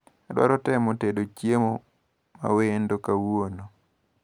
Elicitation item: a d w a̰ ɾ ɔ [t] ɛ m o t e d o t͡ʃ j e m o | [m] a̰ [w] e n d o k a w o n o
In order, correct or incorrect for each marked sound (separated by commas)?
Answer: correct, correct, correct